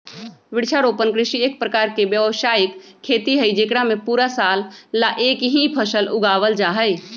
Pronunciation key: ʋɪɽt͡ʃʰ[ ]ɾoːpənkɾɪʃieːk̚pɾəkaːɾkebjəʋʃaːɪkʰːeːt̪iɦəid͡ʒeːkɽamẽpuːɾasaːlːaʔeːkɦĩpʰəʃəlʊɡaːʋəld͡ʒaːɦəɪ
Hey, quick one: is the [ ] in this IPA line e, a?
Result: a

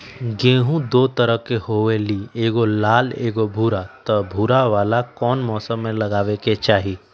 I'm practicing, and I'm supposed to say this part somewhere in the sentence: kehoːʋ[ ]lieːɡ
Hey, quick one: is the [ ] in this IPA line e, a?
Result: e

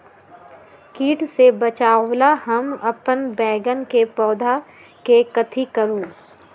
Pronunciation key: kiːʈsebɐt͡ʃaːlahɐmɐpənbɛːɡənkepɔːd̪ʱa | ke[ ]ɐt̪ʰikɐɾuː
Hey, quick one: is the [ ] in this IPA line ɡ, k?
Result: k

